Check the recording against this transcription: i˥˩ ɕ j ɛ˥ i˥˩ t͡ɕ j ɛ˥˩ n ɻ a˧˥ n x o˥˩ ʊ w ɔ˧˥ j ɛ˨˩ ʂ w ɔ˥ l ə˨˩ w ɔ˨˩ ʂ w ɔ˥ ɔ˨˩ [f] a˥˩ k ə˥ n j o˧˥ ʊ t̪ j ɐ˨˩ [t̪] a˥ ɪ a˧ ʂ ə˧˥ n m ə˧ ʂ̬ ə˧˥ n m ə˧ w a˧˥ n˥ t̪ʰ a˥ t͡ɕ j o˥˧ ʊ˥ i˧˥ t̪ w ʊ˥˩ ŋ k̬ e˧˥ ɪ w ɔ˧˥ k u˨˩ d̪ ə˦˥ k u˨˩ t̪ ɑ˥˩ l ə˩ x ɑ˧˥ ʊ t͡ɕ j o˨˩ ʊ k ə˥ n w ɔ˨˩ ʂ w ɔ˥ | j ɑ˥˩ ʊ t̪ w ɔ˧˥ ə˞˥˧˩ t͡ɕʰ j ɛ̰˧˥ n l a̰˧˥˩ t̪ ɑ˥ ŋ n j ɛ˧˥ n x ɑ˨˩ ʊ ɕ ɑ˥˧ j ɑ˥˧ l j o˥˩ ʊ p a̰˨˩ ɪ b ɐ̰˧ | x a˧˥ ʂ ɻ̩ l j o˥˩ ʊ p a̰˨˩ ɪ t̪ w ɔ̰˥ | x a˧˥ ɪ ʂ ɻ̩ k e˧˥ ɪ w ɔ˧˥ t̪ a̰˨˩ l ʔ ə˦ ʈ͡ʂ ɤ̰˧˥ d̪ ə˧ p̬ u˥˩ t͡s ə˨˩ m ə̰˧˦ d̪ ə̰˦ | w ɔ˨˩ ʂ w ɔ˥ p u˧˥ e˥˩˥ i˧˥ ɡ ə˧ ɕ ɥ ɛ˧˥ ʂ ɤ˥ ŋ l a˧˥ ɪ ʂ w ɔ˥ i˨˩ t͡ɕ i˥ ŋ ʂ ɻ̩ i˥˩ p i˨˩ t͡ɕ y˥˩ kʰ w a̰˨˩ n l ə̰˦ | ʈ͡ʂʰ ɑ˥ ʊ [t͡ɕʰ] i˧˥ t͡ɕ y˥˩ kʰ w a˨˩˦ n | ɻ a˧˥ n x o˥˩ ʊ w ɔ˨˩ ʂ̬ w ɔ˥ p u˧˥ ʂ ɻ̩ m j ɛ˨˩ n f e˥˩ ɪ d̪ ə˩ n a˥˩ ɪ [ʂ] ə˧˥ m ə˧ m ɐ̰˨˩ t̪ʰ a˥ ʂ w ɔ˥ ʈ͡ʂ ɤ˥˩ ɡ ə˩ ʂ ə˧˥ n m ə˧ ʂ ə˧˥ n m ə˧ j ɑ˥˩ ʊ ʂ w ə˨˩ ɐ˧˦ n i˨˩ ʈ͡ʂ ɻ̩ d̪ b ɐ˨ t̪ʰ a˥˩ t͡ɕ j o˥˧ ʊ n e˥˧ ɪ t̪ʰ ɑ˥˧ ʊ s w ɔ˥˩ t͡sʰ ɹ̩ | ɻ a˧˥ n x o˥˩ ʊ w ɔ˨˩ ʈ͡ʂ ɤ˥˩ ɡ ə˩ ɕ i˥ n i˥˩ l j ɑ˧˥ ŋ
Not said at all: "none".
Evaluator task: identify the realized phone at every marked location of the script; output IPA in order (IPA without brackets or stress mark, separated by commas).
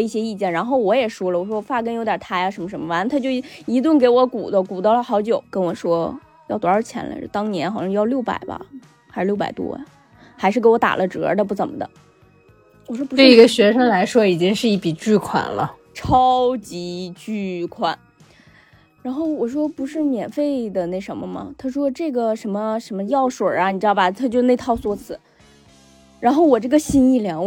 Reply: f, t̪ʰ, t͡ɕ, ʂ